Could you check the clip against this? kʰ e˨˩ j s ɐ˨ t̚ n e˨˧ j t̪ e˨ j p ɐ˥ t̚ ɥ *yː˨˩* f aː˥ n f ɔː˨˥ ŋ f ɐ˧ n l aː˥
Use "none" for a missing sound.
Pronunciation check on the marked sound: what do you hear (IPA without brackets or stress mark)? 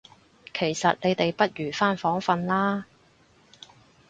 yː˨˩